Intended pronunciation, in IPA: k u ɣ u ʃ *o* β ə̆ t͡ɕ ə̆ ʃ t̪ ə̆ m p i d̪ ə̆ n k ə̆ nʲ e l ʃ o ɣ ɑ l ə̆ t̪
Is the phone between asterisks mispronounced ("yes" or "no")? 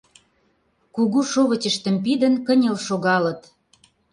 no